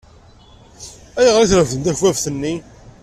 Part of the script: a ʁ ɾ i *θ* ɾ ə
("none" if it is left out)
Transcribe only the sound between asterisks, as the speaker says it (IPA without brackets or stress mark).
θ